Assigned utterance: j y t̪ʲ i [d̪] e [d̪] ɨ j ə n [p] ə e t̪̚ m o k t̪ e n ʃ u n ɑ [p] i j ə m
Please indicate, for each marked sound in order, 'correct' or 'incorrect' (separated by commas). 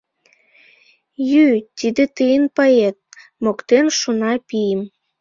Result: correct, incorrect, correct, correct